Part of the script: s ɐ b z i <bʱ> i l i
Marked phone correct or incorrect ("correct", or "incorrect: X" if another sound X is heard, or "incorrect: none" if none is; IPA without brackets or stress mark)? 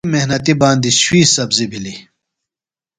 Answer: correct